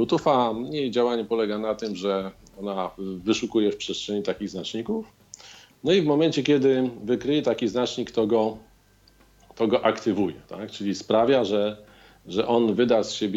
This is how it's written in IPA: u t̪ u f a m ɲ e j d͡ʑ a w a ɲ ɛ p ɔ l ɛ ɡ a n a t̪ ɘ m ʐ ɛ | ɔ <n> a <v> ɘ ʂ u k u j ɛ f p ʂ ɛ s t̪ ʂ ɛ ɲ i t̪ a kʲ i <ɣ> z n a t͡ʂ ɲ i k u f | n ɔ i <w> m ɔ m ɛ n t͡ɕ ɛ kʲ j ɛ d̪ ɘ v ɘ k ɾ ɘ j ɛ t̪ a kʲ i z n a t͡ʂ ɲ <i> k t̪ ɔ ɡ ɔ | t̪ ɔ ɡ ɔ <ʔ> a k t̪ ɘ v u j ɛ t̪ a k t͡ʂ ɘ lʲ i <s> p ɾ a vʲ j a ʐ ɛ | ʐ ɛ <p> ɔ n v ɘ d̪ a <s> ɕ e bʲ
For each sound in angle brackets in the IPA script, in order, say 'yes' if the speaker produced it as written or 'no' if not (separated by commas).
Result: yes, yes, yes, no, yes, yes, yes, no, yes